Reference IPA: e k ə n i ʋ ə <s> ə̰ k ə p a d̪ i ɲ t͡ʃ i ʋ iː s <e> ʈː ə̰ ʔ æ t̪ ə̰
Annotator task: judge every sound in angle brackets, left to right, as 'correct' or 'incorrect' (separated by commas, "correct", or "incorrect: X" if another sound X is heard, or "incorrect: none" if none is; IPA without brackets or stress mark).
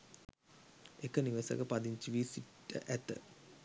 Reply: correct, incorrect: i